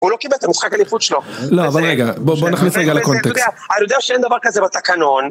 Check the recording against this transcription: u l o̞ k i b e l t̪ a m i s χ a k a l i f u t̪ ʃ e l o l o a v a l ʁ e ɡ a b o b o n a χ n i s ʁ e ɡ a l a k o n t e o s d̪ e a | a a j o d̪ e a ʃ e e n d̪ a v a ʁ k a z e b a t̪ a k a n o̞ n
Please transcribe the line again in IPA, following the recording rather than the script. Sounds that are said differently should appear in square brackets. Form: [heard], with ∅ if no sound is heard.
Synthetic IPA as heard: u l o̞ k i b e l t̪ a m i s χ a k a l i f u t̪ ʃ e l o l o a v a l ʁ e ɡ a b o b o n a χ n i s ʁ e ɡ a l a k o n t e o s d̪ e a | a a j o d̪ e a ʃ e e n d̪ a v a ʁ k a z e b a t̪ a k a n o̞ n